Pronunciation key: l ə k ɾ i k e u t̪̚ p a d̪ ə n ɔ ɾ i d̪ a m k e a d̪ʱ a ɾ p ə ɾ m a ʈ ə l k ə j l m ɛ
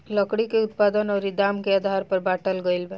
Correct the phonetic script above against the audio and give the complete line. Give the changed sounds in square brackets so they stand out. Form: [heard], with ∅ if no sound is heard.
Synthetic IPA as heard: l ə k [ɽ] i k e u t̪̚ p a d̪ ə n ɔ ɾ i d̪ a m k e a d̪ʱ a ɾ p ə ɾ [b] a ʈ ə l [ɡ] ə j l [b] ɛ